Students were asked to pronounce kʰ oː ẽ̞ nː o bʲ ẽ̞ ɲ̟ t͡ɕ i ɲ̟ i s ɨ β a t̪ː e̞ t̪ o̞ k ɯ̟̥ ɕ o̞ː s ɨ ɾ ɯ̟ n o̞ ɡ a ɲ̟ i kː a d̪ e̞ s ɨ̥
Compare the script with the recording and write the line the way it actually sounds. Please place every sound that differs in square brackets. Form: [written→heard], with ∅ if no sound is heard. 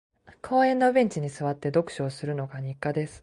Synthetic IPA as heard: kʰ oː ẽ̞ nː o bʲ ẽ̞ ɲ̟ t͡ɕ i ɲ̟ i s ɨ β a t̪ː e̞ [t̪→d̪] o̞ k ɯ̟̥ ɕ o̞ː s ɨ ɾ ɯ̟ n o̞ ɡ a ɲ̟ i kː a d̪ e̞ s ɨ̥